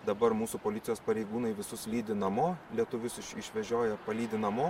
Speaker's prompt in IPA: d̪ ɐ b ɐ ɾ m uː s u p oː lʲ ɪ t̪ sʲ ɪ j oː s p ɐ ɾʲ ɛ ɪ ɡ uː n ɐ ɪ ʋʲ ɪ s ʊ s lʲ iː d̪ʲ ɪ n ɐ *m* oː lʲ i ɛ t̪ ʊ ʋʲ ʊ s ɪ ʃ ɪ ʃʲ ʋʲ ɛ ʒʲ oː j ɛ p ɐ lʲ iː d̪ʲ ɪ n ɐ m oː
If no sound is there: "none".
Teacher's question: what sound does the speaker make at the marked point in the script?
m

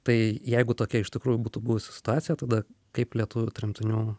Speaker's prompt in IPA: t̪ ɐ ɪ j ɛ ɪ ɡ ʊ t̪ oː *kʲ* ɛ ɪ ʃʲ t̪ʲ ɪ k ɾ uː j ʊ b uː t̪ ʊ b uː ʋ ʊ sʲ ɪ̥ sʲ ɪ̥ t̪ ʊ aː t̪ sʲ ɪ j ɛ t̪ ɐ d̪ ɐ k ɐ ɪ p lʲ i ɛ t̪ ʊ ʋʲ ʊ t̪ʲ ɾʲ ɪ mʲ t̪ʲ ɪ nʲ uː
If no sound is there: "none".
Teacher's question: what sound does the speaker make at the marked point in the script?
kʲ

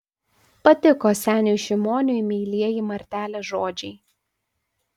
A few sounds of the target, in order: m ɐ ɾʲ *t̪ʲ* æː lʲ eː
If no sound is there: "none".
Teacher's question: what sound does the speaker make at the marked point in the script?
t̪ʲ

